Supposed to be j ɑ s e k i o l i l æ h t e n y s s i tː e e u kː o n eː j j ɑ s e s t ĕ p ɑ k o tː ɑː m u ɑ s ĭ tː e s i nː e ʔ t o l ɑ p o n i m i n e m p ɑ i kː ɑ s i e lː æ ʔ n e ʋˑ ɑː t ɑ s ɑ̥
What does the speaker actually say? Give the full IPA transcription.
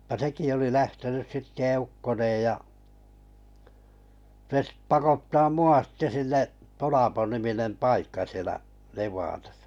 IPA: j ɑ s e k i o l i l æ h t e n y s s i tː e e u kː o n eː j j ɑ s e s t ĕ p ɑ k o tː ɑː m u ɑ s ĭ tː e s i nː e ʔ t o l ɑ p o n i m i n e m p ɑ i kː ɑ s i e l æ ʔ n e ʋˑ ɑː t ɑ s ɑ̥